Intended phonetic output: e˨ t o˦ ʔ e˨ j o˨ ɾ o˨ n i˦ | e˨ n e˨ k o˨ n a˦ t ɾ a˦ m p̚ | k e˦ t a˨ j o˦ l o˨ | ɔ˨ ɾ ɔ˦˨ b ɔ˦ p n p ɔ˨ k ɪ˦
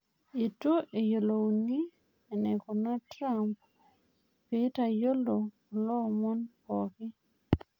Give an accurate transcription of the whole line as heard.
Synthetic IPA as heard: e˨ t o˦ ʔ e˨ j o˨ l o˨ n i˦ | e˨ n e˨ k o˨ n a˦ t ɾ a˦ m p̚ | p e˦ t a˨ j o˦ l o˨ | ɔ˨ l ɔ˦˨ m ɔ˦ n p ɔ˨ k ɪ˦